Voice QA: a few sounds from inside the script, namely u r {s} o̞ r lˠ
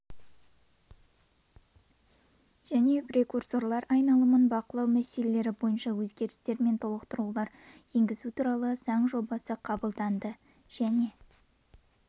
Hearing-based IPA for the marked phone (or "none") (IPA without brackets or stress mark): s